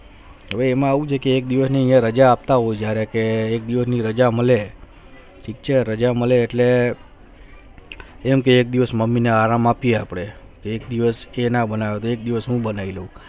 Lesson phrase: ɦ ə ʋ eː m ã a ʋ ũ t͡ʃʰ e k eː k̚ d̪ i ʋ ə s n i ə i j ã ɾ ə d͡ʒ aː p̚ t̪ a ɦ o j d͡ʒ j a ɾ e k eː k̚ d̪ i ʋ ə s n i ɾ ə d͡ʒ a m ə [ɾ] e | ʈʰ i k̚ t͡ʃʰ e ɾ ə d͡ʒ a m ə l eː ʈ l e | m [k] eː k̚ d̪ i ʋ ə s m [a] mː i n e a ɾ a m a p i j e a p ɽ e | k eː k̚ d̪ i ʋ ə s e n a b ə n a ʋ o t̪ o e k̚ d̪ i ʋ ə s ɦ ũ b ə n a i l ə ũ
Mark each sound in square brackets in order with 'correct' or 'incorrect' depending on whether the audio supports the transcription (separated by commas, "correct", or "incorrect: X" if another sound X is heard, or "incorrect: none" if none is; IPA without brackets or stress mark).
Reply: incorrect: l, correct, incorrect: ə